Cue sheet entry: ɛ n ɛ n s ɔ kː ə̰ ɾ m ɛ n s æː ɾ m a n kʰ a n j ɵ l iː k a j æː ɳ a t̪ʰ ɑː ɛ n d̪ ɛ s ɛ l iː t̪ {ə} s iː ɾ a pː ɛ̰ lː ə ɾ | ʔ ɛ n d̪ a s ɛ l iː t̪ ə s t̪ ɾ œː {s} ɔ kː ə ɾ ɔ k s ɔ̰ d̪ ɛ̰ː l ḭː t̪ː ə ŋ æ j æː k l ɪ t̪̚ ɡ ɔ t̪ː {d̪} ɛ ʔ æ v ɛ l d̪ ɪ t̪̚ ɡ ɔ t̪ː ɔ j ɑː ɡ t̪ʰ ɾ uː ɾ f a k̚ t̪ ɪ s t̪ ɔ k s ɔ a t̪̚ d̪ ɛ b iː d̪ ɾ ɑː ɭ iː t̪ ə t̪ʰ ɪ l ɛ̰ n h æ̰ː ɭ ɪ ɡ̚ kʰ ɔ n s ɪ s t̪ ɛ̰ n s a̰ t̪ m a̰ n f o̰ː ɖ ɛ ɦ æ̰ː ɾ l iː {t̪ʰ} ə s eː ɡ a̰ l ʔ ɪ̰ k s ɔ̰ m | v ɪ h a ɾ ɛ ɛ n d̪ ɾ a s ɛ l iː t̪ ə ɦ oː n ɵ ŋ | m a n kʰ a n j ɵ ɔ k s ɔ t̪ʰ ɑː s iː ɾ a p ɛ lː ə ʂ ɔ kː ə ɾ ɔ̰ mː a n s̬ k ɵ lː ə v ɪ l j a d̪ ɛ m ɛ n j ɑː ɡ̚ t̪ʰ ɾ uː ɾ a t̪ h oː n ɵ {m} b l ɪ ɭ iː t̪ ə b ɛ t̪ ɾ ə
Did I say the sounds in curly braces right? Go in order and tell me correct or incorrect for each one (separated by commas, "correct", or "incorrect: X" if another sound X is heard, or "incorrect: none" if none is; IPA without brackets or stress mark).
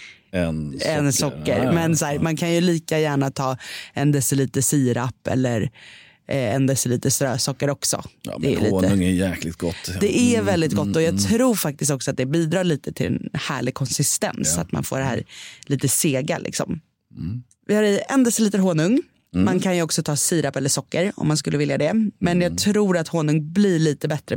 correct, correct, correct, incorrect: t̪, incorrect: ŋ